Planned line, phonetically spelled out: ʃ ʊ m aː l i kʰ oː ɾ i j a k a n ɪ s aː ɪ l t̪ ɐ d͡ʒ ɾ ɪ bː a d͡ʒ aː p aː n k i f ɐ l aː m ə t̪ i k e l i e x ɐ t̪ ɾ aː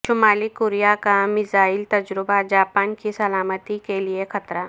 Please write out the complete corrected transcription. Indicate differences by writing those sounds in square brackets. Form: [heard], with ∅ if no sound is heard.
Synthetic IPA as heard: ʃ ʊ m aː l i [k] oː ɾ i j a k a [m] ɪ [z] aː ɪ l t̪ ɐ d͡ʒ ɾ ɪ [b] a d͡ʒ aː p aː n k i [s] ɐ l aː m ə t̪ i k e l i e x ɐ t̪ ɾ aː